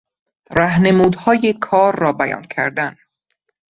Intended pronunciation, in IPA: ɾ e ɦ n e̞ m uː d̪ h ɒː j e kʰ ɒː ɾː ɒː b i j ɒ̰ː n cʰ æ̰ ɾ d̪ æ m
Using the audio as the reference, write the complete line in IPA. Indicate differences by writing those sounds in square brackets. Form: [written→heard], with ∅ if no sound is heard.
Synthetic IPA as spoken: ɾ [e→æ] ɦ n e̞ m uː d̪ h ɒː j e kʰ ɒː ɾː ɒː b [i→æ] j ɒ̰ː n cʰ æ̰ ɾ d̪ æ [m→n]